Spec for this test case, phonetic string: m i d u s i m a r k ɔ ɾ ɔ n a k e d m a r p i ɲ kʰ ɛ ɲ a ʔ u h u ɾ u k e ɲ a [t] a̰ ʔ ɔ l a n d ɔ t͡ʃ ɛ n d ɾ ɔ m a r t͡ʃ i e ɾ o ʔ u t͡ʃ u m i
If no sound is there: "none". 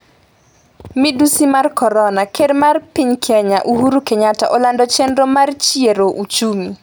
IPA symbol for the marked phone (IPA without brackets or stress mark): t